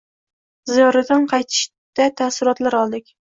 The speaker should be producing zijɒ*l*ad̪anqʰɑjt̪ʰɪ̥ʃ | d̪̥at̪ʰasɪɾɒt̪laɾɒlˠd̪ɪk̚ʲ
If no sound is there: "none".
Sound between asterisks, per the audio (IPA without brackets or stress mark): ɾ